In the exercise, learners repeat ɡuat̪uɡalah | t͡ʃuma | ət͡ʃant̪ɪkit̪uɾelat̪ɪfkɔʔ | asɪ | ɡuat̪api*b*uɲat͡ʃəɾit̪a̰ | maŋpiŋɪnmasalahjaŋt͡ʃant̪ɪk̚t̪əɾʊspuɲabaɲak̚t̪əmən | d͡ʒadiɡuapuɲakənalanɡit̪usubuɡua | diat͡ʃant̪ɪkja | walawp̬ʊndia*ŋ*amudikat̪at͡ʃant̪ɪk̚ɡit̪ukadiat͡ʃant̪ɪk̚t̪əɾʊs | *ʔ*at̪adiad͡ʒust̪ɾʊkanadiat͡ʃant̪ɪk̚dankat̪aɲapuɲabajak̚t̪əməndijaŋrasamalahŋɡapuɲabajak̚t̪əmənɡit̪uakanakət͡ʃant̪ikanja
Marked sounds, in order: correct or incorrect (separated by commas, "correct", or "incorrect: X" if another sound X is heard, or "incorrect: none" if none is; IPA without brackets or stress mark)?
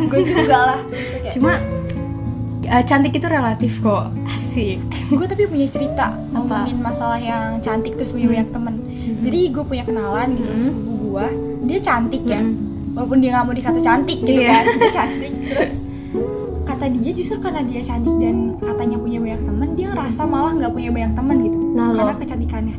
incorrect: p, correct, incorrect: k